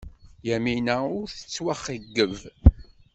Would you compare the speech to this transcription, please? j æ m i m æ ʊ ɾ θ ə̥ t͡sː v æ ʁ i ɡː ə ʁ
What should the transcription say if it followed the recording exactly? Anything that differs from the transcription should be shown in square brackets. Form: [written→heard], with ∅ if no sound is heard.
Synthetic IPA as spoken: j æ m i [m→n] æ ʊ ɾ θ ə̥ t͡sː [v→w] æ [ʁ→χ] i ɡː ə [ʁ→v]